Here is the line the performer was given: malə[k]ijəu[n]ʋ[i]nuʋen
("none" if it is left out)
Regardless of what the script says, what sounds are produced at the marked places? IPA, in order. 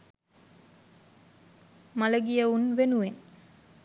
ɡ, n, e

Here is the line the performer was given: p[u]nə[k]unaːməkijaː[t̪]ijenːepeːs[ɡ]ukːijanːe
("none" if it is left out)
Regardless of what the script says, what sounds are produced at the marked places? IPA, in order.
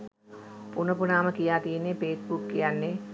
u, p, t̪, b

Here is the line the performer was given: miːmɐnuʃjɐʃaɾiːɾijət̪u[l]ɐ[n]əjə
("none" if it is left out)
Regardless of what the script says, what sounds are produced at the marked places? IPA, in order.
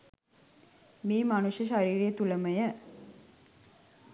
l, m

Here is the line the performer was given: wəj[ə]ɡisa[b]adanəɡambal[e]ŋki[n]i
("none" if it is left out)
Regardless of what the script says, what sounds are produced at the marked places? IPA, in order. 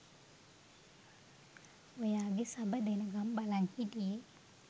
a, b, a, d

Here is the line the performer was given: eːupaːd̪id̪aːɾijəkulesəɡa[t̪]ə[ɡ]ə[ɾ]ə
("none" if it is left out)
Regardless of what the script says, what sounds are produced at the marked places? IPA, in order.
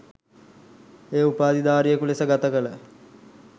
t̪, k, l

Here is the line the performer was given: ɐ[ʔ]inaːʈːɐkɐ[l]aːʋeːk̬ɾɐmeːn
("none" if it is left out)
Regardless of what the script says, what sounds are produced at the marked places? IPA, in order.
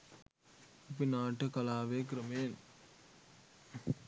p, l

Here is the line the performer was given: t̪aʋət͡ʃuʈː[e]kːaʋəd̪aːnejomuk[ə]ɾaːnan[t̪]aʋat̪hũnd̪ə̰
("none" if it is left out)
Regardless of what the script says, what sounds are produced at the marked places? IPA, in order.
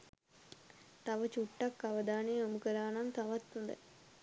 a, ə, t̪

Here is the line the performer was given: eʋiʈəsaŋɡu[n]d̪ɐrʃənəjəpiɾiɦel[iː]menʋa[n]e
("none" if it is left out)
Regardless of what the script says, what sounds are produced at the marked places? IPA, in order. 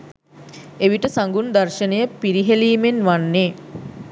n, iː, nː

